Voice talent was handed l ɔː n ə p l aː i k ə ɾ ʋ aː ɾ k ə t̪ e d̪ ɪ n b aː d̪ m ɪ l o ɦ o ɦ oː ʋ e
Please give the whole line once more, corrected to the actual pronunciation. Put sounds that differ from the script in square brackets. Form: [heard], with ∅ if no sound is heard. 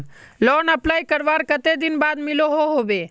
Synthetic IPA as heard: l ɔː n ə p l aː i k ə ɾ ʋ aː ɾ k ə t̪ e d̪ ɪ n b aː d̪ m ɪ l o ɦ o ɦ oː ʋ e